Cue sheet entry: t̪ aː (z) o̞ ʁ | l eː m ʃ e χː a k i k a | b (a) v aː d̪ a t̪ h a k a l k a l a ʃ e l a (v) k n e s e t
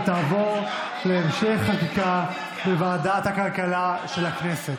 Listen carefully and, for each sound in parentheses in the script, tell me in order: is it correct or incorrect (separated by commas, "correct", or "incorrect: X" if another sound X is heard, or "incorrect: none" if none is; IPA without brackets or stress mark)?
incorrect: v, incorrect: e, incorrect: none